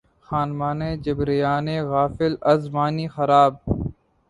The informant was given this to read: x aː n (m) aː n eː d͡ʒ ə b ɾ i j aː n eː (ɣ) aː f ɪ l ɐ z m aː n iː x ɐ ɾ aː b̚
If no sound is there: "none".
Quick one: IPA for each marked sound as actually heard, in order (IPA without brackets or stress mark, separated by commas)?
m, ɣ